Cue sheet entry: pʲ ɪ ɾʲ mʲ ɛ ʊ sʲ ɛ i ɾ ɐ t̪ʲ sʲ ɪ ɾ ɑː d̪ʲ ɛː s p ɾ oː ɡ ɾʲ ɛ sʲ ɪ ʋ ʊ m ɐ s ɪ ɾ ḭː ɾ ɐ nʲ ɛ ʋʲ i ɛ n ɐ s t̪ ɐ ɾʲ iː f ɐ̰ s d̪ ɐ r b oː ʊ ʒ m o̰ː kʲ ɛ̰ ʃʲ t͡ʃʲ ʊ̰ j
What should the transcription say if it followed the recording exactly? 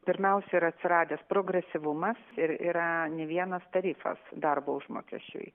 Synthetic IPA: pʲ ɪ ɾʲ mʲ ɛ ʊ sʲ ɛ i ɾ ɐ t̪ʲ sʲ ɪ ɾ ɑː d̪ʲ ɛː s p ɾ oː ɡ ɾʲ ɛ sʲ ɪ ʋ ʊ m ɐ s ɪ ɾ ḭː ɾ ɐ nʲ ɛ ʋʲ i ɛ n ɐ s t̪ ɐ ɾʲ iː f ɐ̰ s d̪ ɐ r b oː ʊ ʒ m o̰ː kʲ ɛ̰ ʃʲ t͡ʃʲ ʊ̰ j